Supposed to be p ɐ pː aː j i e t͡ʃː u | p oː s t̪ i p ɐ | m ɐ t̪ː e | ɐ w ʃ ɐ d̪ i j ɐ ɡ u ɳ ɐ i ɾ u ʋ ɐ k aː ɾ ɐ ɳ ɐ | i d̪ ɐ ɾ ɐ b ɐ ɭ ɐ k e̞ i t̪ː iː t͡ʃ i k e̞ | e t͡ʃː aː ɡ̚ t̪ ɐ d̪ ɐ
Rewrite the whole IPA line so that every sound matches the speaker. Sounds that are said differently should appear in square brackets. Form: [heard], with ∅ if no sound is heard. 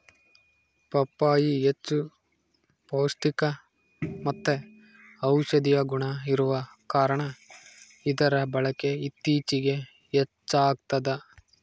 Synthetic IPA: p ɐ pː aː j i e t͡ʃː u | p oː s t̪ i [k] ɐ | m ɐ t̪ː e | ɐ w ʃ ɐ d̪ i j ɐ ɡ u ɳ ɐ i ɾ u ʋ ɐ k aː ɾ ɐ ɳ ɐ | i d̪ ɐ ɾ ɐ b ɐ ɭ ɐ k e̞ i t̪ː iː t͡ʃ i [ɡ] e̞ | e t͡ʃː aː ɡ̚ t̪ ɐ d̪ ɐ

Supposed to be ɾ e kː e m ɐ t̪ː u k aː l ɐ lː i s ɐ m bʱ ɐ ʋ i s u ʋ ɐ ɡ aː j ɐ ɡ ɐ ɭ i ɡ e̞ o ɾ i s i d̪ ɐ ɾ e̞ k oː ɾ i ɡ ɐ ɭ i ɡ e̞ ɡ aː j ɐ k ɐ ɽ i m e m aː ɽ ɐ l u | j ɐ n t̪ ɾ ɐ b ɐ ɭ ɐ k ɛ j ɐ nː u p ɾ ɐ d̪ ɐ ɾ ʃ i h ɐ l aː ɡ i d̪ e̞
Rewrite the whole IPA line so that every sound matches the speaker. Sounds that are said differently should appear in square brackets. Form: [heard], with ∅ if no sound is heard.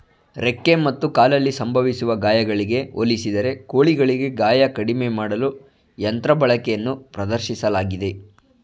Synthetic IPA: ɾ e kː e m ɐ t̪ː u k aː l ɐ lː i s ɐ m bʱ ɐ ʋ i s u ʋ ɐ ɡ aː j ɐ ɡ ɐ ɭ i ɡ e̞ o [l] i s i d̪ ɐ ɾ e̞ k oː [ɭ] i ɡ ɐ ɭ i ɡ e̞ ɡ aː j ɐ k ɐ ɽ i m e m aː ɽ ɐ l u | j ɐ n t̪ ɾ ɐ b ɐ ɭ ɐ k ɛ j ɐ nː u p ɾ ɐ d̪ ɐ ɾ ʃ i [s] ɐ l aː ɡ i d̪ e̞

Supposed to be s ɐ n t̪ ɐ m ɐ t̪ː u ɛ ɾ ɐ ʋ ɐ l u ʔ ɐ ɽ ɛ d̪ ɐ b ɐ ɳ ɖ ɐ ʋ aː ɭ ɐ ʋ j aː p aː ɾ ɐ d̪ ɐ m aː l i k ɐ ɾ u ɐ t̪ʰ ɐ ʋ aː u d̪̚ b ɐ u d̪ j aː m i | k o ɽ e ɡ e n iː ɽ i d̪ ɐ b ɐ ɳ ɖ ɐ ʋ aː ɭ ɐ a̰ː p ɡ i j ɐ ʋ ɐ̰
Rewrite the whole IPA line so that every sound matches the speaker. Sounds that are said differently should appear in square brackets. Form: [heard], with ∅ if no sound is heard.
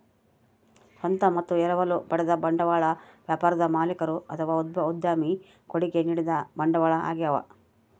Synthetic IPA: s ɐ n t̪ ɐ m ɐ t̪ː u ɛ ɾ ɐ ʋ ɐ l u [p] ɐ ɽ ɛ d̪ ɐ b ɐ ɳ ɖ ɐ ʋ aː ɭ ɐ ʋ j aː p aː ɾ ɐ d̪ ɐ m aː l i k ɐ ɾ u ɐ t̪ʰ ɐ ʋ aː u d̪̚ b ɐ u d̪ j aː m i | k o ɽ [i] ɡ e n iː ɽ i d̪ ɐ b ɐ ɳ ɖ ɐ ʋ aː ɭ ɐ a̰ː [∅] ɡ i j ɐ ʋ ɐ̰

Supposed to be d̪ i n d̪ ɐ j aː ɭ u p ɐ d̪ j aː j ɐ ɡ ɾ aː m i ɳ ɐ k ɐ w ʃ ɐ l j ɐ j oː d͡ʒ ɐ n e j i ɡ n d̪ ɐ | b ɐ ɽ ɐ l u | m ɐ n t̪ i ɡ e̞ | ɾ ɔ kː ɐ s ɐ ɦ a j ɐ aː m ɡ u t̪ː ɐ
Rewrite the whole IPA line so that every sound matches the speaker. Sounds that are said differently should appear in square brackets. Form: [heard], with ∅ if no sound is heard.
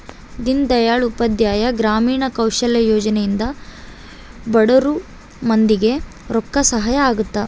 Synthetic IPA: d̪ i n d̪ ɐ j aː ɭ u p ɐ d̪ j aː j ɐ ɡ ɾ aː m [iː] ɳ ɐ k ɐ w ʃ ɐ l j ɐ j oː d͡ʒ ɐ n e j i [∅] n d̪ ɐ | b ɐ ɽ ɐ [ɾ] u | m ɐ n [d̪] i ɡ e̞ | ɾ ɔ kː ɐ s ɐ ɦ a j ɐ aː [∅] ɡ u t̪ː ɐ

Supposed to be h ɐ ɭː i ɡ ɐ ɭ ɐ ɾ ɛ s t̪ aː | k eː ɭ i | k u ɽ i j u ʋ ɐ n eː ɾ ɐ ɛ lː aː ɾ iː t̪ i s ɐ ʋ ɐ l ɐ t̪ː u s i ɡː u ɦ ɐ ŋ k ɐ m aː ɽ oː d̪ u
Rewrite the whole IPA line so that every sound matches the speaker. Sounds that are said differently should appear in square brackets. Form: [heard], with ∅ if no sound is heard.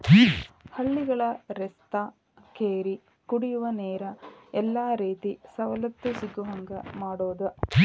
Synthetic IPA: h ɐ ɭː i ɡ ɐ ɭ ɐ ɾ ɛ s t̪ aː | k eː [ɾ] i | k u ɽ i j u ʋ ɐ n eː ɾ ɐ ɛ lː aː ɾ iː t̪ i s ɐ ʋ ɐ l ɐ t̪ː u s i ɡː u ɦ ɐ ŋ [ɡ] ɐ m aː ɽ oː d̪ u

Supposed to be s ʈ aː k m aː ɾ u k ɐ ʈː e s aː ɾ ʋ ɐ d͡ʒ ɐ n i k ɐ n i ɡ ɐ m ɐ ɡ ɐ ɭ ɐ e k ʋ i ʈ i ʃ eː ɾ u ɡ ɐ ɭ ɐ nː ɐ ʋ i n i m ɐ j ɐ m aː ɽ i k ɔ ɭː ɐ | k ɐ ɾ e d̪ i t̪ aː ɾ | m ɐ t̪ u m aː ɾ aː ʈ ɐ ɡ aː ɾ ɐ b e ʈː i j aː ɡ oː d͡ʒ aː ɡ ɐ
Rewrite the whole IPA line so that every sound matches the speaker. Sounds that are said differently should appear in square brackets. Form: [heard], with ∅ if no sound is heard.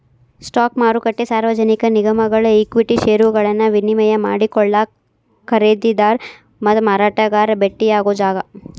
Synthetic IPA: s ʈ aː k m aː ɾ u k ɐ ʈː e s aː ɾ ʋ ɐ d͡ʒ ɐ n i k ɐ n i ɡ ɐ m ɐ ɡ ɐ ɭ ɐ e k ʋ i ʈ i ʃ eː ɾ u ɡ ɐ ɭ ɐ nː ɐ ʋ i n i m ɐ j ɐ m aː ɽ i k ɔ ɭː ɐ | k ɐ ɾ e d̪ i [d̪] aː ɾ | m ɐ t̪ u m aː ɾ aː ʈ ɐ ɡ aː ɾ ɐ b e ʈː i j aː ɡ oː d͡ʒ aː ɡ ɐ

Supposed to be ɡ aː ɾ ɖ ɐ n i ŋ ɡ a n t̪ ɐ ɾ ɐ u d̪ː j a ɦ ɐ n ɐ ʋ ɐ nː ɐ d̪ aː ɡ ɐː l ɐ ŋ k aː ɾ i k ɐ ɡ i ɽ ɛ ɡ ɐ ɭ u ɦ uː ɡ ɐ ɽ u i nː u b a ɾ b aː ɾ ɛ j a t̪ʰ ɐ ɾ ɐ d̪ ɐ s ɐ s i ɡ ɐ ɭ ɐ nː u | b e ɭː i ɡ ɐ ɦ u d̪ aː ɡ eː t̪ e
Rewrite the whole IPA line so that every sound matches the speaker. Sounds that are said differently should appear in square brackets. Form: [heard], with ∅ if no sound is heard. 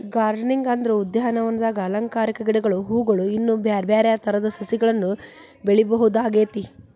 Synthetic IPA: ɡ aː ɾ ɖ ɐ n i ŋ ɡ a n [d̪] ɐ ɾ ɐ u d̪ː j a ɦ ɐ n ɐ ʋ ɐ nː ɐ d̪ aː ɡ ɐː l ɐ ŋ k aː ɾ i k ɐ ɡ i ɽ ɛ ɡ ɐ ɭ u ɦ uː ɡ ɐ [ɭ] u i nː u b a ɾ b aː ɾ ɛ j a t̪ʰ ɐ ɾ ɐ d̪ ɐ s ɐ s i ɡ ɐ ɭ ɐ nː u | b e [ɭ] i [b] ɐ ɦ u d̪ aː ɡ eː t̪ [i]

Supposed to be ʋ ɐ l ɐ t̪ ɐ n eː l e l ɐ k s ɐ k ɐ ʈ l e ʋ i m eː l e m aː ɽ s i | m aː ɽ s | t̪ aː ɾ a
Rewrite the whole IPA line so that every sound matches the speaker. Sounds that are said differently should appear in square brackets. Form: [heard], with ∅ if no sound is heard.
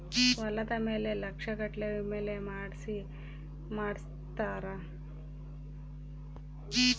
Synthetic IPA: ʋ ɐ l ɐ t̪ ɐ [m] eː l e l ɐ k [ʂ] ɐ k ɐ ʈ l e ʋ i m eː l e m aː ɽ s i | m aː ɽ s | t̪ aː ɾ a

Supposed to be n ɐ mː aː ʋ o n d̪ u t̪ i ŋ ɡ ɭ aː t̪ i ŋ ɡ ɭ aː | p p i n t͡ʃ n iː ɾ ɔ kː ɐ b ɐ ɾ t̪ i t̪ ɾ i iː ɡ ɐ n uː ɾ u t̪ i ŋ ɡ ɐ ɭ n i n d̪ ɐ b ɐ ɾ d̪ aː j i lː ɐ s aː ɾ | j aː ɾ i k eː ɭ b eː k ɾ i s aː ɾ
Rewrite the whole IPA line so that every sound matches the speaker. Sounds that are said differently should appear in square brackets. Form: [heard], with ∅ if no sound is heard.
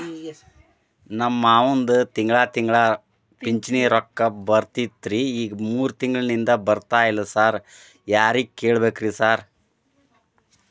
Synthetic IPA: n ɐ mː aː ʋ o n d̪ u t̪ i ŋ ɡ ɭ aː t̪ i ŋ ɡ ɭ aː | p p i [ɲ] t͡ʃ n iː ɾ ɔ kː ɐ b ɐ ɾ t̪ i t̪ ɾ i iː ɡ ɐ [m] uː ɾ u t̪ i ŋ ɡ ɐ ɭ n i n d̪ ɐ b ɐ ɾ [t̪] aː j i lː ɐ s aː ɾ | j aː ɾ i k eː ɭ b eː k ɾ i s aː ɾ

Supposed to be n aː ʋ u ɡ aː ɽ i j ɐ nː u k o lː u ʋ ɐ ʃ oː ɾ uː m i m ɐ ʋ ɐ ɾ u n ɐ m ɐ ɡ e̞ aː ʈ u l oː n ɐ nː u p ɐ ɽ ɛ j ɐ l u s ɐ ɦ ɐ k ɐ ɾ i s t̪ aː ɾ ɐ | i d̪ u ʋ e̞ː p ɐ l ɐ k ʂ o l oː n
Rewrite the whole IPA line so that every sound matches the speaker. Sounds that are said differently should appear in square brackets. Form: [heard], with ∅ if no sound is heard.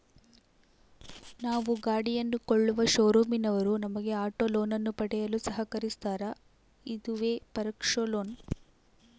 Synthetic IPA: n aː ʋ u ɡ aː ɽ i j ɐ nː u k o [ɭː] u ʋ ɐ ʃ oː ɾ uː m i [n] ɐ ʋ ɐ ɾ u n ɐ m ɐ ɡ e̞ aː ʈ [o] l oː n ɐ nː u p ɐ ɽ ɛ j ɐ l u s ɐ ɦ ɐ k ɐ ɾ i s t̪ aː ɾ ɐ | i d̪ u ʋ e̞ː p ɐ [ɾ] ɐ k ʂ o l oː n

